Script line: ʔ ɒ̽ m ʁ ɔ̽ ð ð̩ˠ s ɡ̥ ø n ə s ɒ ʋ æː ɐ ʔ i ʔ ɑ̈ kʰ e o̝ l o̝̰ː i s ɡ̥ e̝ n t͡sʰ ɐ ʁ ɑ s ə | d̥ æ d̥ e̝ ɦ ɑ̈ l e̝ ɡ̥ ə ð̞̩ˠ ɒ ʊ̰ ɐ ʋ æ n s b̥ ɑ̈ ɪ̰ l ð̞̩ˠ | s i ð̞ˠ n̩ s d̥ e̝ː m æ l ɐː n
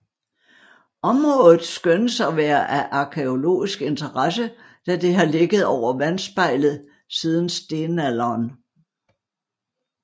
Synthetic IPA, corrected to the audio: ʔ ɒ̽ m ʁ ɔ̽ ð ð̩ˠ s ɡ̥ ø n ə s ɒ ʋ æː ɐ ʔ æ ʔ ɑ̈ kʰ e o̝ l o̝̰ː i s ɡ̥ e̝ n t͡sʰ ɐ ʁ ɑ s ə | d̥ æ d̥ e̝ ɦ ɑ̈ l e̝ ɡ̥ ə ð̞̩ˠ ɒ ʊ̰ ɐ ʋ æ n s b̥ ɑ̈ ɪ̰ l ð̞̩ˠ | s i ð̞ˠ n̩ s d̥ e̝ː n æ l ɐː n